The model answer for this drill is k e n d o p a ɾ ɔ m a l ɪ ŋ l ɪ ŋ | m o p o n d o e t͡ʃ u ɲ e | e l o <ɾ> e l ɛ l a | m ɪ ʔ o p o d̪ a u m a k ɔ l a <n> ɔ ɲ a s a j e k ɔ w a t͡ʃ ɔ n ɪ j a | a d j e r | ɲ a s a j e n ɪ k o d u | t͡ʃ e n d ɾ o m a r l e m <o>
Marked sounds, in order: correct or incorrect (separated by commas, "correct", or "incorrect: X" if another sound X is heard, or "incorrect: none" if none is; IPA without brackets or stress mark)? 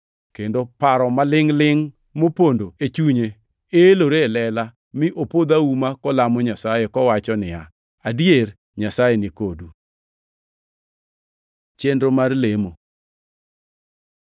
correct, incorrect: m, correct